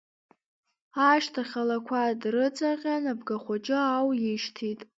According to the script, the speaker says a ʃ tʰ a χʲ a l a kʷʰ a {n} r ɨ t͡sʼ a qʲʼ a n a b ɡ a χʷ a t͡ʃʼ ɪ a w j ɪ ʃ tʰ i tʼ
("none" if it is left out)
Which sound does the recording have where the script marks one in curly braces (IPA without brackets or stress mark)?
d